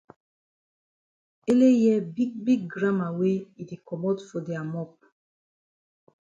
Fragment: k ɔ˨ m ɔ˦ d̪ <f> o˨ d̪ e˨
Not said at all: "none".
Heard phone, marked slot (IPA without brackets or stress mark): f